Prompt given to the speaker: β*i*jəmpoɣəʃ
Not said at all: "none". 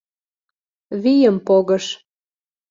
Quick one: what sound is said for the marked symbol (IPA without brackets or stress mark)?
i